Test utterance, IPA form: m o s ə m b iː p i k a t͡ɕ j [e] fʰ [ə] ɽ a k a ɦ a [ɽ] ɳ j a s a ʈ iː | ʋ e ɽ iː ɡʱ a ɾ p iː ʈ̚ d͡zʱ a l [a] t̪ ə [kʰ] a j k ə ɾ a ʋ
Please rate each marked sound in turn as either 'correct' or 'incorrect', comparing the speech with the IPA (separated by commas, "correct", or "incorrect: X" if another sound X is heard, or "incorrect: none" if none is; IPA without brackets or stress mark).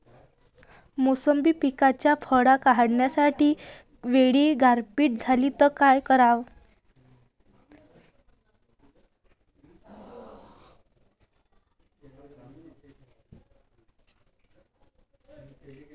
incorrect: a, correct, correct, incorrect: i, incorrect: k